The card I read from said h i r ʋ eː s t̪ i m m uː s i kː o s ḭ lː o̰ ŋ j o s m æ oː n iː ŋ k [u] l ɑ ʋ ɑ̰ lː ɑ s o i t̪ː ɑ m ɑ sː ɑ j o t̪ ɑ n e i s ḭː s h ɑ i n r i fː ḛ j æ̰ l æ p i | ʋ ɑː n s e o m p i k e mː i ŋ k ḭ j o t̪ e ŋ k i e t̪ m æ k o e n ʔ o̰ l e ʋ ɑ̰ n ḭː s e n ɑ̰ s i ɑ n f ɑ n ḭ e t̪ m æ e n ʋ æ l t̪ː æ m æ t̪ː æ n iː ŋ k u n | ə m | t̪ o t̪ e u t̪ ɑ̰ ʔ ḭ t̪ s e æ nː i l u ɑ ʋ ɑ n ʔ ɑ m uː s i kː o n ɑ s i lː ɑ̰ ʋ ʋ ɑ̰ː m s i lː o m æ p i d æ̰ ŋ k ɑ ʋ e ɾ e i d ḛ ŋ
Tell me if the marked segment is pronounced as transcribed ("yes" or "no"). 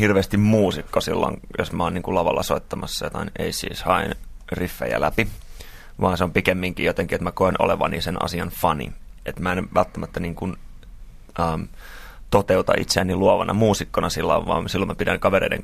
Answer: yes